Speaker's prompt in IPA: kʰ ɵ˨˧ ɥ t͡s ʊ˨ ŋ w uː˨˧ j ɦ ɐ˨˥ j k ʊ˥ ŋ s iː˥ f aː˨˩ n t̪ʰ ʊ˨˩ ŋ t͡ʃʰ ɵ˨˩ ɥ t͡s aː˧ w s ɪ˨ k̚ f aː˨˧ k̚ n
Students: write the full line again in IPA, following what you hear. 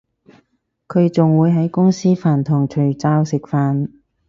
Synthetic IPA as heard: kʰ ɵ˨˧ ɥ t͡s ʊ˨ ŋ w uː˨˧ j ɦ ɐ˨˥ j k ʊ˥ ŋ s iː˥ f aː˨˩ n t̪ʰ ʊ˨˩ ŋ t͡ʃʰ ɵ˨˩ ɥ t͡s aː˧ w s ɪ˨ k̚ f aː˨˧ n